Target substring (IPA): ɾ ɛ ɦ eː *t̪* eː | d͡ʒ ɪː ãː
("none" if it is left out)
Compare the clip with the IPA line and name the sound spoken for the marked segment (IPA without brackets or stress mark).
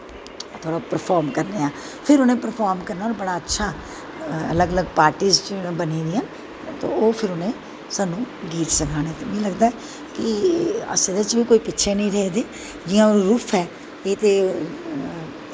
d̪